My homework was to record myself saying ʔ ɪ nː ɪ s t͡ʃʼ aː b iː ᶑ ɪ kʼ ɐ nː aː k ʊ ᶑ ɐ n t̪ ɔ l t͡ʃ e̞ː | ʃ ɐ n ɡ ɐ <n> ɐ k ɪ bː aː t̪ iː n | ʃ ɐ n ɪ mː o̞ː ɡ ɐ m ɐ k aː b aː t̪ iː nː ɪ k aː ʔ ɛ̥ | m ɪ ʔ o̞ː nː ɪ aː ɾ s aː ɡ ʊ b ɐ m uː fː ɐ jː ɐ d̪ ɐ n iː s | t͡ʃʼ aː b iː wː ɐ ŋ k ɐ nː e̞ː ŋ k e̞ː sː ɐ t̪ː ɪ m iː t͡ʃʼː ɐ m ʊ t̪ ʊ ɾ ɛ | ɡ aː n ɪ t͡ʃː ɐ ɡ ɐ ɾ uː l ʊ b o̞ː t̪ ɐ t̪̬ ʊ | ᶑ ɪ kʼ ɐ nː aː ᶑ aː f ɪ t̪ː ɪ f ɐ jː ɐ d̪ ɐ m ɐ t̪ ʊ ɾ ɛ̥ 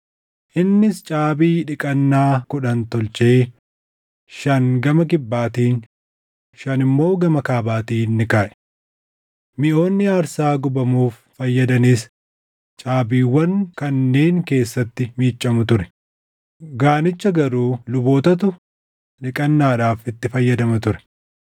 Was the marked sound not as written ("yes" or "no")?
yes